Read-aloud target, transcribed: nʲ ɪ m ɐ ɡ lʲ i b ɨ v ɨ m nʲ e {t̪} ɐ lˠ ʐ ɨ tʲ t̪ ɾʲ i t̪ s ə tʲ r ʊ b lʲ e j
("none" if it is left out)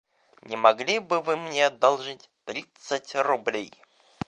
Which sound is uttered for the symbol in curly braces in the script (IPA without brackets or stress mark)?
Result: d̪